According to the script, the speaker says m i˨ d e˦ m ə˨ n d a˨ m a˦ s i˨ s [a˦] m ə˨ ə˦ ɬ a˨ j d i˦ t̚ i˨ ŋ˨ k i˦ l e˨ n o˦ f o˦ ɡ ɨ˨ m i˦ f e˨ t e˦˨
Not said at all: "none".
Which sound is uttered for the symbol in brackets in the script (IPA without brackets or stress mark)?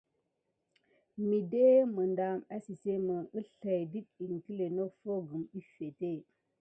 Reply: e˦